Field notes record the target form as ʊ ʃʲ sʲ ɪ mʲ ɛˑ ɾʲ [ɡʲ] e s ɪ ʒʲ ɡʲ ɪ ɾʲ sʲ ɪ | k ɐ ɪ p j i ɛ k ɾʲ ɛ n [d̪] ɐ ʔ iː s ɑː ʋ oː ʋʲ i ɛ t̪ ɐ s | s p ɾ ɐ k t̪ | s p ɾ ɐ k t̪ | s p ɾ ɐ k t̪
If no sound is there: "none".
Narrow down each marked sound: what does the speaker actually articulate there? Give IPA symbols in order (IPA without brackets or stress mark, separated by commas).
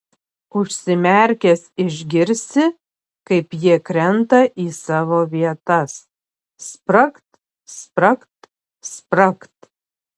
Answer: kʲ, t̪